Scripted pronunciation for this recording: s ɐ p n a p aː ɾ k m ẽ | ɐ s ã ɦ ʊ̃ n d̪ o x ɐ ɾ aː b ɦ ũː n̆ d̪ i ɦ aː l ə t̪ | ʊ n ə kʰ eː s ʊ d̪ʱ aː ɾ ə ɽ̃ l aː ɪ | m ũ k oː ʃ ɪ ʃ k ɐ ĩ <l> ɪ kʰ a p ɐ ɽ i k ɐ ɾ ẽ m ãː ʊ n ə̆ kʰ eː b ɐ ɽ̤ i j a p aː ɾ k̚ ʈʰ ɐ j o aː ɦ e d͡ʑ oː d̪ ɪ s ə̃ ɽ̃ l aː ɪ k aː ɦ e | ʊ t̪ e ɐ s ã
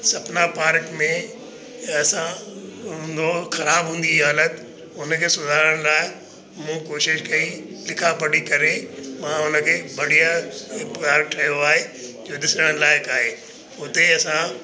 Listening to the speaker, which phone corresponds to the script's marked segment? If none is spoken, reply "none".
l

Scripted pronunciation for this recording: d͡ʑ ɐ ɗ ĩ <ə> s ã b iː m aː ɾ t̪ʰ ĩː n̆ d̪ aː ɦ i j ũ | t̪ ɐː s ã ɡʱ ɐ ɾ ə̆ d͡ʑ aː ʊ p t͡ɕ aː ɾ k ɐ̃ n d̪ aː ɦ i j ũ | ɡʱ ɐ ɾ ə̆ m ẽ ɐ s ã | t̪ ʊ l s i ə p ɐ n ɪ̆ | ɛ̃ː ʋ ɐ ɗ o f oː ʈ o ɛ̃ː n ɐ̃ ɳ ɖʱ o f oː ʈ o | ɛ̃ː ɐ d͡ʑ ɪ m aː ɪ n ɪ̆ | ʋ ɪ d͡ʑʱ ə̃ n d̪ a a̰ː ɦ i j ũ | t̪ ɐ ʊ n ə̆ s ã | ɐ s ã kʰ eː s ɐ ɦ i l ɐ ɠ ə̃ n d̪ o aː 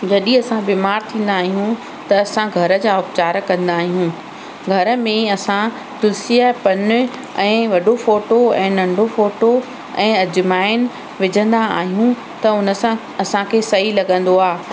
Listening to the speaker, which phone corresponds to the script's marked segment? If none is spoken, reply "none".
ɐ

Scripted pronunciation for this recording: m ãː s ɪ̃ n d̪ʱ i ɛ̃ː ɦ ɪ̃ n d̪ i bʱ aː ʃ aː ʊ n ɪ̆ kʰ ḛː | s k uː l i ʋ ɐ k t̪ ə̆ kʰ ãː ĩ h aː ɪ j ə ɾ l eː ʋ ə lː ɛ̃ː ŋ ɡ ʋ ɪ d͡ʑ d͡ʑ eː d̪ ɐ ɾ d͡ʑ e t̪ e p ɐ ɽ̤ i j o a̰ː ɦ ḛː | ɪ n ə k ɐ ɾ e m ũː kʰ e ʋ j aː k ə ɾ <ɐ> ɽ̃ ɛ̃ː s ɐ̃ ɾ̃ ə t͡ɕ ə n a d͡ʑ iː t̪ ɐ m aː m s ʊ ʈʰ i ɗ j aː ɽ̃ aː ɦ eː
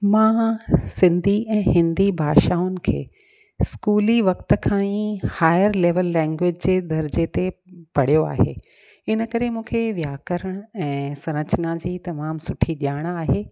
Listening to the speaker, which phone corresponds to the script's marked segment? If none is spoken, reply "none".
ə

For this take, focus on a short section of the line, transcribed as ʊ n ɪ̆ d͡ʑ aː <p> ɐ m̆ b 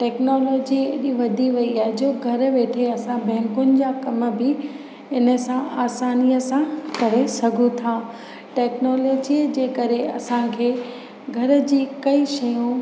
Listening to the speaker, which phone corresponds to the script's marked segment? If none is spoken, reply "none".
k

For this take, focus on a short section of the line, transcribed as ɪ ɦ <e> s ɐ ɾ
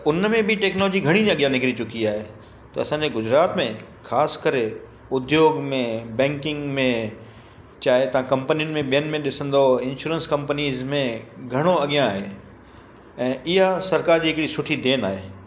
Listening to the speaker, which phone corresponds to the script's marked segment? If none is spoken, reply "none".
a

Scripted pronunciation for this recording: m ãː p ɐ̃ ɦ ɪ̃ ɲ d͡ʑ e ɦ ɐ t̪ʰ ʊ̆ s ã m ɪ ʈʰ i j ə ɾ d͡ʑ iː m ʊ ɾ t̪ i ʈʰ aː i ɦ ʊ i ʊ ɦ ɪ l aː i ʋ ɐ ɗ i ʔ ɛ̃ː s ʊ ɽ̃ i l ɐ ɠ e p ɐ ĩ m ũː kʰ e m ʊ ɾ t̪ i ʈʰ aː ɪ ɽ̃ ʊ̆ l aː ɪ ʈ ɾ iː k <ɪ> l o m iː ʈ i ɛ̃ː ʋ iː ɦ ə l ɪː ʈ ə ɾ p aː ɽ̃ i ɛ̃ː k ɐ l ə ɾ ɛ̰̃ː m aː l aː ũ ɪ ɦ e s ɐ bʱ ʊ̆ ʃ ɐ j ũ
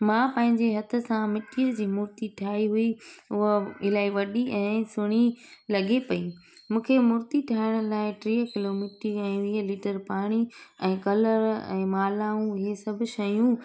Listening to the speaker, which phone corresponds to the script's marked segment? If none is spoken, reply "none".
ɪ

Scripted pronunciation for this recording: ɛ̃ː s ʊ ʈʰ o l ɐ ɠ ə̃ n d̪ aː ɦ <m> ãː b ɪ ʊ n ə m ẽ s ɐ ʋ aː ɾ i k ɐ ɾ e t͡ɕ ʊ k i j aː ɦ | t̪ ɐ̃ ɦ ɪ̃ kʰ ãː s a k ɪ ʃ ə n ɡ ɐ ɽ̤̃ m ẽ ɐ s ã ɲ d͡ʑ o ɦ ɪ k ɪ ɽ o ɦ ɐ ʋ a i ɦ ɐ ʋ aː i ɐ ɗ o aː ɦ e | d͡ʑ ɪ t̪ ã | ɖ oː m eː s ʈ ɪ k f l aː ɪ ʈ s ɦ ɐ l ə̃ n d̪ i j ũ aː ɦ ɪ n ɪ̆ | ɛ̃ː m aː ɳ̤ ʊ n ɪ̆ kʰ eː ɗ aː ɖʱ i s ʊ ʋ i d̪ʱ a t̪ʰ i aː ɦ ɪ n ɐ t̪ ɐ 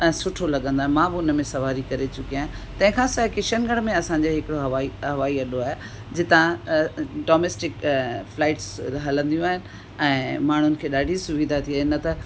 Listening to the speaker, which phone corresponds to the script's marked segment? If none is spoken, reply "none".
m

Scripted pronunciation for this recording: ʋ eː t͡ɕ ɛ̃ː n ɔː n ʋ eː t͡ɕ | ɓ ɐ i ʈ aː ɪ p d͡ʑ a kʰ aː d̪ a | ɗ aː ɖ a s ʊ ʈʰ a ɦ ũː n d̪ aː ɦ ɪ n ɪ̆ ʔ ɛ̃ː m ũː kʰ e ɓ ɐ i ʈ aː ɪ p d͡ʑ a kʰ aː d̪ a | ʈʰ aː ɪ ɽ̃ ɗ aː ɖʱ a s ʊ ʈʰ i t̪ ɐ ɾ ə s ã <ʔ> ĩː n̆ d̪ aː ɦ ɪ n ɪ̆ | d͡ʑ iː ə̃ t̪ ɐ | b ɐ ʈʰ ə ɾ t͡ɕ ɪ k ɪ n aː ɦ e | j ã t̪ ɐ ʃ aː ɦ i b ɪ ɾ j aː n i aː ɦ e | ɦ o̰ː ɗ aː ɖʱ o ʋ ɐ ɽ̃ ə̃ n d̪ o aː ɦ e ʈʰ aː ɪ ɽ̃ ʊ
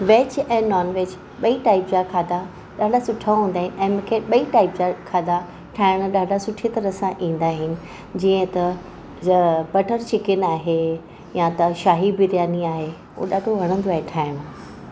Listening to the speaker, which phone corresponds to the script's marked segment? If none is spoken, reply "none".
ʔ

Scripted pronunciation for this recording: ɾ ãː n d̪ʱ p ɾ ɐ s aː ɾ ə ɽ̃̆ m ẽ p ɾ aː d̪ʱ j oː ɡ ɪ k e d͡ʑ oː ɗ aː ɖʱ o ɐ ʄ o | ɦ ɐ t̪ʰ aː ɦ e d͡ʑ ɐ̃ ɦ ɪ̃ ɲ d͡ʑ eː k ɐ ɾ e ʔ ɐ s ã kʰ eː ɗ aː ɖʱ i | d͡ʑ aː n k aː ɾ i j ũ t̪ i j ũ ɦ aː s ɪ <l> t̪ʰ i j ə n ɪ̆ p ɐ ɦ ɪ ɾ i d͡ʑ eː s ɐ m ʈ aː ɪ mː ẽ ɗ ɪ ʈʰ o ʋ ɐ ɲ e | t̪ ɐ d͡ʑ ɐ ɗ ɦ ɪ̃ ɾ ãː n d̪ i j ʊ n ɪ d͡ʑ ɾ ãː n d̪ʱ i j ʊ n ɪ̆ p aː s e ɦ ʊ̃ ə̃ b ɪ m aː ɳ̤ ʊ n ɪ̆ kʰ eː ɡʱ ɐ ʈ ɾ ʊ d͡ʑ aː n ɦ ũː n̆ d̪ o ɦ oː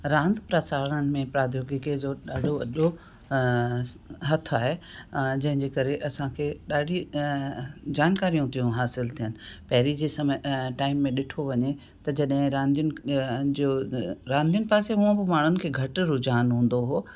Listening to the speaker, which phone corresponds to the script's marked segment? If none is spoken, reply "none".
l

